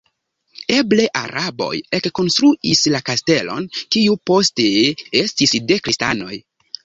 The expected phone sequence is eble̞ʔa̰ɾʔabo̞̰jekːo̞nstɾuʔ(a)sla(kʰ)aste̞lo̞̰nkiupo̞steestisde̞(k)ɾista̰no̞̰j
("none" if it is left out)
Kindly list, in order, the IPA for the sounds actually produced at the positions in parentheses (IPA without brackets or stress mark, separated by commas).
i, k, k